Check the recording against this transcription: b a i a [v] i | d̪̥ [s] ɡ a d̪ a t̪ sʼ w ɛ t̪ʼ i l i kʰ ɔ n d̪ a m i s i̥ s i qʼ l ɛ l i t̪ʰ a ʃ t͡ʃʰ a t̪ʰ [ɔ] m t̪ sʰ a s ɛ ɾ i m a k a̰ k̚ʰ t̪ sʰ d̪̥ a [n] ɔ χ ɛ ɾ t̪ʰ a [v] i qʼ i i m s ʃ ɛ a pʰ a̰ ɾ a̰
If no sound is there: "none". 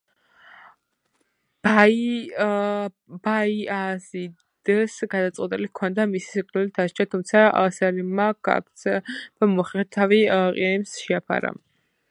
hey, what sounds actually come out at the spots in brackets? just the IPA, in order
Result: z, s, u, m, v

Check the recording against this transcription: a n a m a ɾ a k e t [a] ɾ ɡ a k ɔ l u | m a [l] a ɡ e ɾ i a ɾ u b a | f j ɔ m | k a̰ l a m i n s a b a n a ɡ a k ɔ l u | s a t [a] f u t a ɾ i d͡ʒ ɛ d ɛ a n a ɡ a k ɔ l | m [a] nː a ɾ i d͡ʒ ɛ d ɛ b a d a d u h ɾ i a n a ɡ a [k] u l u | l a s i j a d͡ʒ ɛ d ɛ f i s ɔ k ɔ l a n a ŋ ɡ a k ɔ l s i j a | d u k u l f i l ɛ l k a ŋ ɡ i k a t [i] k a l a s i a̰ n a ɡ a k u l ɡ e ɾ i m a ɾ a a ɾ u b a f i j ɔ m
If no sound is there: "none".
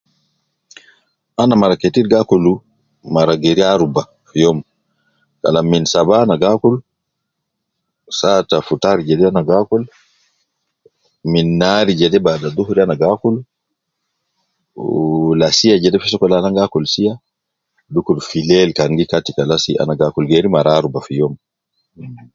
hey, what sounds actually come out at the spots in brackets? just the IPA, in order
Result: i, ɾ, a, i, k, i

